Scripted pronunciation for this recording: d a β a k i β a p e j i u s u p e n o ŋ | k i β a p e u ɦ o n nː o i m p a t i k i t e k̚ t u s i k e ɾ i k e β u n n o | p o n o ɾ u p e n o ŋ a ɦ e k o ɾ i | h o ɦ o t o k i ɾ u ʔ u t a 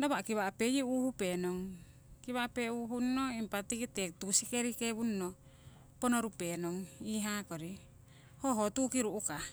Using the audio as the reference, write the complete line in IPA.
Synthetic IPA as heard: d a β a k i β a p e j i u h u p e n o ŋ | k i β a p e u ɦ u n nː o i m p a t i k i t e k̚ t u s i k e ɾ i k e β u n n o | p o n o ɾ u p e n o ŋ i ɦ a k o ɾ i | h o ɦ o t u k i ɾ u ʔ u k a